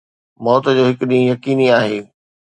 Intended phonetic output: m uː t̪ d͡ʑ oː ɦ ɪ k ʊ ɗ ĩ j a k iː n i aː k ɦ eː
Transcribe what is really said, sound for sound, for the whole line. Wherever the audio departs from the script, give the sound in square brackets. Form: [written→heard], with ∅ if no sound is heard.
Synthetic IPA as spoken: m [uː→ɔː] t̪ d͡ʑ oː ɦ ɪ k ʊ ɗ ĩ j [a→ɐ] k iː n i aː [k→∅] ɦ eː

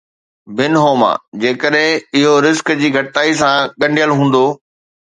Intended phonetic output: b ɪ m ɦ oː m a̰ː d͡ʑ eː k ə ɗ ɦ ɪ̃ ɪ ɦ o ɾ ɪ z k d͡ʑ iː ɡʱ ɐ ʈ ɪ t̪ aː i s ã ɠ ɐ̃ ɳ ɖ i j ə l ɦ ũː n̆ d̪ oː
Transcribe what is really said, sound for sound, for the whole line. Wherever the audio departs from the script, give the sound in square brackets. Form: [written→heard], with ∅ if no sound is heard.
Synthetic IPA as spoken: b ɪ [m→n] ɦ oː m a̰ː d͡ʑ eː k ə ɗ ɦ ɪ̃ ɪ ɦ o ɾ ɪ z k d͡ʑ iː ɡʱ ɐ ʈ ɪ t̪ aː i s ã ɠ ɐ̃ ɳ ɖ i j ə l ɦ ũː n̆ d̪ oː

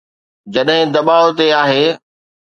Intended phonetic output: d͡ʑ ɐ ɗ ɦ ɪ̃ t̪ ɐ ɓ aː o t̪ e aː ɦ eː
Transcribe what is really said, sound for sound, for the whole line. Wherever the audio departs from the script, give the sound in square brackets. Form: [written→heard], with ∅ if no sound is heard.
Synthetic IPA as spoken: d͡ʑ ɐ ɗ ɦ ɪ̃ [t̪→d̪] ɐ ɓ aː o t̪ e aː ɦ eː

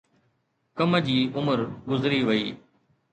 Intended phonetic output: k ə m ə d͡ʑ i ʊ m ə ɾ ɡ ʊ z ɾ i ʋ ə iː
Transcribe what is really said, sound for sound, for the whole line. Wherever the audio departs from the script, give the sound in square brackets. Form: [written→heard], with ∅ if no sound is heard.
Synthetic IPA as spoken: k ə m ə d͡ʑ [i→iː] ʊ m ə ɾ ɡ ʊ z ɾ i ʋ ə iː

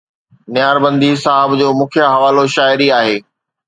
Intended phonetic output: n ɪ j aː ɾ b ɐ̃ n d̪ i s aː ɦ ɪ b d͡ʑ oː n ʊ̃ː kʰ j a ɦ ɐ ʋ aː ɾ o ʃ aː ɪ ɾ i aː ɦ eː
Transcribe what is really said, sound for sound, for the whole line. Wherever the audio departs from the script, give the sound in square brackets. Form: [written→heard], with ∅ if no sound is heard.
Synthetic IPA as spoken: n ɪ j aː ɾ b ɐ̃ n d̪ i s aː ɦ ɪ b d͡ʑ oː [n→m] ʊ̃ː kʰ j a ɦ ɐ ʋ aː [ɾ→l] o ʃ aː ɪ ɾ i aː ɦ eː

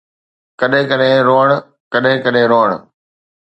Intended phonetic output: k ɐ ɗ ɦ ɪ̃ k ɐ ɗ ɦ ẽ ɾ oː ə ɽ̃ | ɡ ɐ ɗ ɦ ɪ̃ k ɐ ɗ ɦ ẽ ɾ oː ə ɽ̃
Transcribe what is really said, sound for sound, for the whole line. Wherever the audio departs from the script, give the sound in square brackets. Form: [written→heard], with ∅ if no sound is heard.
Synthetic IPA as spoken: k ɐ ɗ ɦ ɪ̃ k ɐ ɗ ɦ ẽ ɾ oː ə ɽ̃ | [ɡ→k] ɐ ɗ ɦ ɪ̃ k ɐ ɗ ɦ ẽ ɾ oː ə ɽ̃

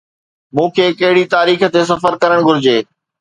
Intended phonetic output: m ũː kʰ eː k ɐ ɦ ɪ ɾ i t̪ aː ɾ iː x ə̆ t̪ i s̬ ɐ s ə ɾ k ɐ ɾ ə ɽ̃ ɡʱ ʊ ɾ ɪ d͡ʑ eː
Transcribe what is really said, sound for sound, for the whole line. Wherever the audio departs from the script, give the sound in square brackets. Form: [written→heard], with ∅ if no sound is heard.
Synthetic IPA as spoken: m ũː kʰ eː k ɐ ɦ ɪ [ɾ→ɽ] i t̪ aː ɾ iː x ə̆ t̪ [i→e] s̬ ɐ [s→f] ə ɾ k ɐ ɾ ə ɽ̃ ɡʱ ʊ ɾ ɪ d͡ʑ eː

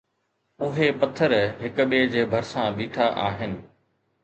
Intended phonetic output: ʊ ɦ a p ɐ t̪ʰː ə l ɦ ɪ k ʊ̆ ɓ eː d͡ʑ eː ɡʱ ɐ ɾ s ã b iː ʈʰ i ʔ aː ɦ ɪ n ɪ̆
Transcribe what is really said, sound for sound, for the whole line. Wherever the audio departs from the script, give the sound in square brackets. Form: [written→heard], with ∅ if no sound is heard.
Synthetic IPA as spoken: ʊ ɦ [a→e] p ɐ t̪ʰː ə [l→ɾ] ɦ ɪ k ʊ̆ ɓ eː d͡ʑ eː [ɡʱ→bʱ] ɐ ɾ s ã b iː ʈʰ [i→a] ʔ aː ɦ ɪ n ɪ̆

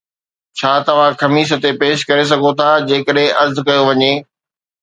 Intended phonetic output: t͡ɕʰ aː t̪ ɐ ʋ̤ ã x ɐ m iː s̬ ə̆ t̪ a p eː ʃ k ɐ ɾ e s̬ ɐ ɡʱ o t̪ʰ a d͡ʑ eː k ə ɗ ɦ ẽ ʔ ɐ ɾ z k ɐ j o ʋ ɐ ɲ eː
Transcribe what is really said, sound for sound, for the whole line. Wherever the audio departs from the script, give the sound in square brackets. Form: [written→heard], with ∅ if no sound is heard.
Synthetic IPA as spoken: t͡ɕʰ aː t̪ ɐ ʋ̤ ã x ɐ m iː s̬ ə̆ t̪ [a→e] p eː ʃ k ɐ ɾ e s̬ ɐ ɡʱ o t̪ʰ a d͡ʑ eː k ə ɗ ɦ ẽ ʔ ɐ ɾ z k ɐ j o ʋ ɐ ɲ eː

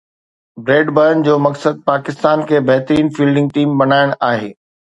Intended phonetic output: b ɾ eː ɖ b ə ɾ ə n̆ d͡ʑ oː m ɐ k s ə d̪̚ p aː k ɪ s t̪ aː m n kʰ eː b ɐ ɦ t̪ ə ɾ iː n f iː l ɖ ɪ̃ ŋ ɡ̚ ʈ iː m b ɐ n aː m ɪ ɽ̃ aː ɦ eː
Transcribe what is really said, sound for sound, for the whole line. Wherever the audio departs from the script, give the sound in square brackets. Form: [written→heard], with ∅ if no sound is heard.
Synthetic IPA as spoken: b ɾ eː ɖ b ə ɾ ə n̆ d͡ʑ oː m ɐ k s ə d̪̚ p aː k ɪ s t̪ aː [m→∅] n kʰ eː b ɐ ɦ t̪ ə ɾ iː n f iː l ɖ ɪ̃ ŋ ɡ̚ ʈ iː m b ɐ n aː [m→∅] ɪ ɽ̃ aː ɦ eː

